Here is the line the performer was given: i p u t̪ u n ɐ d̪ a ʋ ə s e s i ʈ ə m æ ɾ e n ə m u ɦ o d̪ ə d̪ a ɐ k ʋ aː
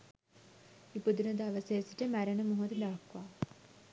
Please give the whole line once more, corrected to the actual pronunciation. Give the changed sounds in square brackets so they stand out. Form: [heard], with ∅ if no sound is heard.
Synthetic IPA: i p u [d̪] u n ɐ d̪ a ʋ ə s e s i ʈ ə m æ ɾ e n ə m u ɦ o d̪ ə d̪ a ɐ k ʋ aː